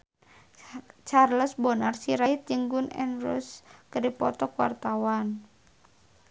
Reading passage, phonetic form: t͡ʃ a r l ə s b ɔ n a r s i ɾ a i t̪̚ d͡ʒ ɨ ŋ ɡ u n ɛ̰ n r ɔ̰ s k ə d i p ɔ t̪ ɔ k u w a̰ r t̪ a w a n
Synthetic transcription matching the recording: t͡ʃ a r l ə s b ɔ n a r s i ɾ a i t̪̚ d͡ʒ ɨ ŋ ɡ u n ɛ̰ n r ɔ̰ s k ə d i p ɔ t̪ ɔ k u w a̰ r t̪ a w a n